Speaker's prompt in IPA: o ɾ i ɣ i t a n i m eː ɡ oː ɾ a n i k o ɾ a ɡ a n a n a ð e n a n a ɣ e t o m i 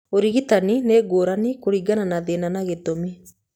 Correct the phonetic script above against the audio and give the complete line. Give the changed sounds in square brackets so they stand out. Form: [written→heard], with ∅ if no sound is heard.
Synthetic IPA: o ɾ i ɣ i t a n i [m→n] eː ɡ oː ɾ a n i k o ɾ [a→i] ɡ a n a n a ð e n a n a ɣ e t o m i